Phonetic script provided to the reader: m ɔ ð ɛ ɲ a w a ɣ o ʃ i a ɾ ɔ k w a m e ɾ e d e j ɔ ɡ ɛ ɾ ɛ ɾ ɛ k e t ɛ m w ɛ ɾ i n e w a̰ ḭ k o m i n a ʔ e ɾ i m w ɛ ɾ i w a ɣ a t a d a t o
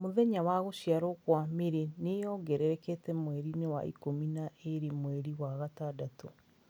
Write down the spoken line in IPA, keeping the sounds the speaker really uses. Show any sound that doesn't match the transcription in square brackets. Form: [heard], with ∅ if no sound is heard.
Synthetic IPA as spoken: m [o] ð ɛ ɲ a w a ɣ o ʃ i a ɾ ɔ k w a m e ɾ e [n] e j ɔ ɡ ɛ ɾ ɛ ɾ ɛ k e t ɛ m w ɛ ɾ i n e w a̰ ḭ k o m i n a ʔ e ɾ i m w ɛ ɾ i w a ɣ a t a d a t o